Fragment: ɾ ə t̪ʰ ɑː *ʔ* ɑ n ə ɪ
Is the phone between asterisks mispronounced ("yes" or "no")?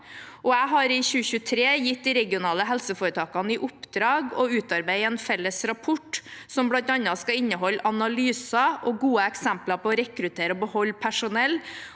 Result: yes